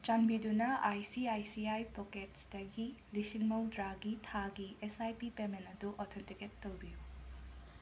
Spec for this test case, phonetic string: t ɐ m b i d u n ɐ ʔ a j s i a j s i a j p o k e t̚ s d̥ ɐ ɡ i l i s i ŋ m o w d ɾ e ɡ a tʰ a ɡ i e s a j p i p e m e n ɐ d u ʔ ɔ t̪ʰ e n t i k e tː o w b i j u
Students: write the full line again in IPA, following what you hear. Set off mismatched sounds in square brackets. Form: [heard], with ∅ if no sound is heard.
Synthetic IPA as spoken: [t͡ʃ] ɐ m b i d u n ɐ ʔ a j s i a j s i a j p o k e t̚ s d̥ ɐ ɡ i l i s i ŋ m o w d ɾ [a] ɡ [i] tʰ a ɡ i e s a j p i p e m e n ɐ d u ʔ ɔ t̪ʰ e n t i k e tː o w b i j u

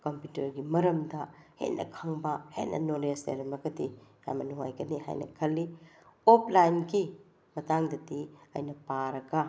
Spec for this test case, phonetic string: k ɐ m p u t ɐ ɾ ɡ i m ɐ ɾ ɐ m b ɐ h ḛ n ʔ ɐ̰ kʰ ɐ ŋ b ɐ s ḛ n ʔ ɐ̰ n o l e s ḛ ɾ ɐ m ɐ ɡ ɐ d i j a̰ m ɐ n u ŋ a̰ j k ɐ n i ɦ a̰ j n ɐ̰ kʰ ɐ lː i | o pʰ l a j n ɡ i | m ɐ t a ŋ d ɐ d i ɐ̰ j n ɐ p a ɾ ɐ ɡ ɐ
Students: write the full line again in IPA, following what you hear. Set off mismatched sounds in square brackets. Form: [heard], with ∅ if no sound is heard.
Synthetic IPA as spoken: k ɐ m p u t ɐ ɾ ɡ i m ɐ ɾ ɐ m [d] ɐ h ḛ n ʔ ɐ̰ kʰ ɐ ŋ b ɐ [h] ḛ n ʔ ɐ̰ n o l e s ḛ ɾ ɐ m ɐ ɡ ɐ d i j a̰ m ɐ n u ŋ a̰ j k ɐ n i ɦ a̰ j n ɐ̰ kʰ ɐ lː i | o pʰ l a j n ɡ i | m ɐ t a ŋ d ɐ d i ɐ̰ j n ɐ p a ɾ ɐ ɡ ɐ

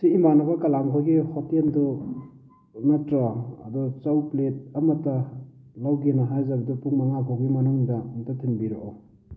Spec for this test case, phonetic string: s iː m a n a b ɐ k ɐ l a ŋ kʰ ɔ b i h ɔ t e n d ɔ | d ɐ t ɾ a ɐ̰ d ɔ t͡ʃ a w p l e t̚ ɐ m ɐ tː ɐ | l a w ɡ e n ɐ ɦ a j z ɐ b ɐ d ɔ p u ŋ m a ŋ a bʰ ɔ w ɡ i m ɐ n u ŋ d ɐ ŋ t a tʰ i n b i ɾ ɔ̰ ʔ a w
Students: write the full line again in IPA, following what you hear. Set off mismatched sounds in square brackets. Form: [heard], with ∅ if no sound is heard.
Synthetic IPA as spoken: s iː m a n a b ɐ k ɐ l a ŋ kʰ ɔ [ɡ] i h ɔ t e n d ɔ | [n] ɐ t ɾ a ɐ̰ d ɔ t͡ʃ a w p l e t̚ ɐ m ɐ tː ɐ | l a w ɡ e n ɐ ɦ a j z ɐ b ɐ d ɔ p u ŋ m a ŋ a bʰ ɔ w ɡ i m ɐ n u ŋ d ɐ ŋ t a tʰ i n b i ɾ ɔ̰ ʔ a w

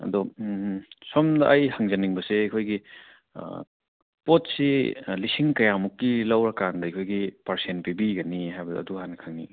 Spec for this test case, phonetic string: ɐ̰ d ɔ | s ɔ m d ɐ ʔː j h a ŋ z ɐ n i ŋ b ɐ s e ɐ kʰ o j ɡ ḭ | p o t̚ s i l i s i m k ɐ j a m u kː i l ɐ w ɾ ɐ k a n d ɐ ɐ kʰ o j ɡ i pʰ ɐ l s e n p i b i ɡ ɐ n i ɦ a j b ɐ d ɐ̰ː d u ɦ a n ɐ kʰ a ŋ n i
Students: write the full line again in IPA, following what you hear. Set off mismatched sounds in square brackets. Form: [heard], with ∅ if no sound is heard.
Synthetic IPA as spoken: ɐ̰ d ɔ | s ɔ m d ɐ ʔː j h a ŋ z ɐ n i ŋ b ɐ s e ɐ kʰ o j ɡ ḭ | p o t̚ s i l i s i [ŋ] k ɐ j a m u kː i l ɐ w ɾ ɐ k a n d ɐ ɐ kʰ o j ɡ i [p] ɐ [ɾ] s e n p i b i ɡ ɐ n i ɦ a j b ɐ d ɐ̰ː d u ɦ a n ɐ kʰ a ŋ n i

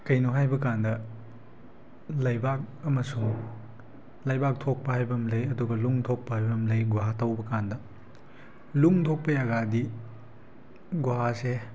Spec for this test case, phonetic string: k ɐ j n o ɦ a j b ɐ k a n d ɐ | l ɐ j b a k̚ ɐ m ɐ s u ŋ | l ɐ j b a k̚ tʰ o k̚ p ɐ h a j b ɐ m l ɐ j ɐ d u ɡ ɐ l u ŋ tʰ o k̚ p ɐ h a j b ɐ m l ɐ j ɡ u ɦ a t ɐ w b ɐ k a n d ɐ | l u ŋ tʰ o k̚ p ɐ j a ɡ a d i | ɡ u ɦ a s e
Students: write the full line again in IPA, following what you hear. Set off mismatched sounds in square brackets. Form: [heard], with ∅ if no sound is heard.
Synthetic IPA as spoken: k ɐ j n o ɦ a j b ɐ k a n d ɐ | l ɐ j b a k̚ ɐ m ɐ s u ŋ | l ɐ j b a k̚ tʰ o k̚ p ɐ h a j b ɐ m l ɐ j ɐ d u ɡ ɐ l u ŋ tʰ o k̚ p ɐ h a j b ɐ m l ɐ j ɡ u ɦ a t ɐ w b ɐ k a n d ɐ | l u ŋ tʰ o k̚ p ɐ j a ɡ a d i | ɡ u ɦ a s e

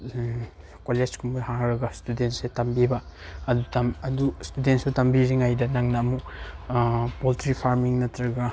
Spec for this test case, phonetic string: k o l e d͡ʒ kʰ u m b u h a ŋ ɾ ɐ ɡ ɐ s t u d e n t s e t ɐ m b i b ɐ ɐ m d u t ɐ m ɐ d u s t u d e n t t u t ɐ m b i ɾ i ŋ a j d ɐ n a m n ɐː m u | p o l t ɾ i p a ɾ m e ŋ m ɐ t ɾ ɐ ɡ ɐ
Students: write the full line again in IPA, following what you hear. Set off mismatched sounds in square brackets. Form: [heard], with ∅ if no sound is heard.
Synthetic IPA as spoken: k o l e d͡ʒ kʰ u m b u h a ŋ ɾ ɐ ɡ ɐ s t u d e n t s e t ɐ m b i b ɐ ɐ [∅] d u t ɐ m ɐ d u s t u d e n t [s] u t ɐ m b i ɾ i ŋ a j d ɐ n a [ŋ] n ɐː m u | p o l t ɾ i [pʰ] a ɾ m [i] ŋ [n] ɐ t ɾ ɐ ɡ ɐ

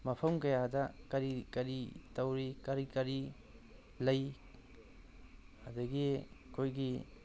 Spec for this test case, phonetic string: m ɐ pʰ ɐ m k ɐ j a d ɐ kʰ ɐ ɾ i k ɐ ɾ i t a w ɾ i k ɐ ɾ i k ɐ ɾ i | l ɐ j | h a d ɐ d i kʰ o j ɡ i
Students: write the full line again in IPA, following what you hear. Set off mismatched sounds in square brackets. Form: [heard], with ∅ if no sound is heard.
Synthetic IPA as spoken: m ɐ pʰ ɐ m k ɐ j a d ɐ [k] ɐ ɾ i k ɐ ɾ i t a w ɾ i k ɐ ɾ i k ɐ ɾ i | l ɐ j | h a d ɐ [ɡ] i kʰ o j ɡ i

